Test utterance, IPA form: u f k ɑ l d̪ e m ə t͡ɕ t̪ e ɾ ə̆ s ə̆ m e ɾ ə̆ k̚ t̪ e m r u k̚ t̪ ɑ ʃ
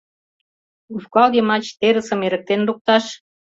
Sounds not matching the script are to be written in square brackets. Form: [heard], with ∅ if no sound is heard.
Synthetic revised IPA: u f k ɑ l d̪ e m [ɑ] t͡ɕ t̪ e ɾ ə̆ s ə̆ m e ɾ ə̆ k̚ t̪ e [n] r u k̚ t̪ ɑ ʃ

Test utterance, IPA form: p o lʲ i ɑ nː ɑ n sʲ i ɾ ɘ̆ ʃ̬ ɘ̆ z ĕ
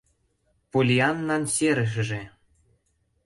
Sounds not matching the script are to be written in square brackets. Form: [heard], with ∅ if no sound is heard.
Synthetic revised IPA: p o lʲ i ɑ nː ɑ n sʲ [e] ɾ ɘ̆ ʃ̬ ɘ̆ [ʒ] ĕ

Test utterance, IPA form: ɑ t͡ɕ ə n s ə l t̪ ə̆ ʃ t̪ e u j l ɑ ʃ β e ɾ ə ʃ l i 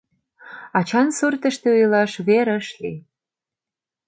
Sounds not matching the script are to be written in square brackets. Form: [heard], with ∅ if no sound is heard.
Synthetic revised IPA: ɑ t͡ɕ [ɑ] n s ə [r] t̪ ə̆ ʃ t̪ e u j l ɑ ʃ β e ɾ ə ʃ l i

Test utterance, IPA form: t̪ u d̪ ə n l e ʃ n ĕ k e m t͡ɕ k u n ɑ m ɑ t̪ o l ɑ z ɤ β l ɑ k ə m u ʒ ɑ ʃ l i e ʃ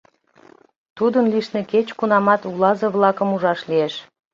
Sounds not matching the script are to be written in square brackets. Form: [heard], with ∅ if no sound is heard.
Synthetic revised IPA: t̪ u d̪ ə n l [i] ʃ n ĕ k e [∅] t͡ɕ k u n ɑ m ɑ t̪ [u] l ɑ z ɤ β l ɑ k ə m u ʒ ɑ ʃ l i e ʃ

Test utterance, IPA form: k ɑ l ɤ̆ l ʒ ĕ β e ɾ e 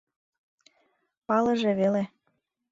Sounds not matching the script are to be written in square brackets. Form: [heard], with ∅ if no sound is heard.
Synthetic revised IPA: [p] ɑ l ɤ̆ [∅] ʒ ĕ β e [l] e

